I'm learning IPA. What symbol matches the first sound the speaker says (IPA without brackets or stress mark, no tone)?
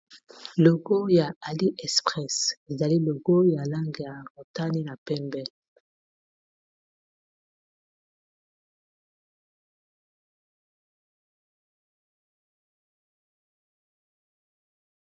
l